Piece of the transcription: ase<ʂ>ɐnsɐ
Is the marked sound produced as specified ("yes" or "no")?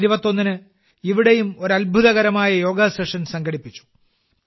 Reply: yes